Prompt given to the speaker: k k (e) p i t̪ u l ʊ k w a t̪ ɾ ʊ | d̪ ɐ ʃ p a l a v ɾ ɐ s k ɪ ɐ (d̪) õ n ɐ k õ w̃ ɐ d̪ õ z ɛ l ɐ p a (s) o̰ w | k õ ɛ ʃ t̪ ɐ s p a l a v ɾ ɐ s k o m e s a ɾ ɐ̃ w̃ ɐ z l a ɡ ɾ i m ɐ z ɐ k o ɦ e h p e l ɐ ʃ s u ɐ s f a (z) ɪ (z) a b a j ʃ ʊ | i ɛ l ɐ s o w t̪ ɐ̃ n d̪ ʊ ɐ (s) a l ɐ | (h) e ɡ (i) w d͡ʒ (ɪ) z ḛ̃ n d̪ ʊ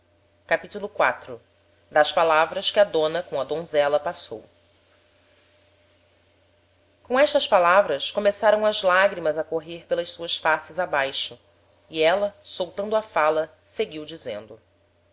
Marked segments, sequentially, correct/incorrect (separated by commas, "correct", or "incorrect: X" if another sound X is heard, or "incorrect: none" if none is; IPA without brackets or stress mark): incorrect: a, correct, correct, incorrect: s, correct, incorrect: f, incorrect: s, correct, incorrect: i